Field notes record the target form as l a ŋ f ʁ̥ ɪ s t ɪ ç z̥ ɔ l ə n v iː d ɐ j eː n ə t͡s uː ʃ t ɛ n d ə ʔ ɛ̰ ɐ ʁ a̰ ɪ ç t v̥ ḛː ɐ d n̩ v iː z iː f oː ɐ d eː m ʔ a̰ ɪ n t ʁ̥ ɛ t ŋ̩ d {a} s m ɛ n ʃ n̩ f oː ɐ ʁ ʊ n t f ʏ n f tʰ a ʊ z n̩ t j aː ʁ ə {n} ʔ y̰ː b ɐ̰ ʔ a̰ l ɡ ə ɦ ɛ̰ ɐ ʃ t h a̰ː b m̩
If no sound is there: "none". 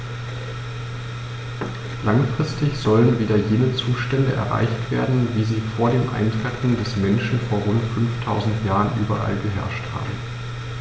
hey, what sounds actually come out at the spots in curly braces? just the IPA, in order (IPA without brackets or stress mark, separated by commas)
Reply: ɛ, n